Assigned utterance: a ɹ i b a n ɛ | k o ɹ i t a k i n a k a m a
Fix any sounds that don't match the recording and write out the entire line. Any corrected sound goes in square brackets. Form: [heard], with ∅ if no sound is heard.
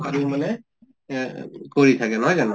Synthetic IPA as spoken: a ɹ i [m] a n ɛ | k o ɹ i [tʰ] a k [ɛ] n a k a [n] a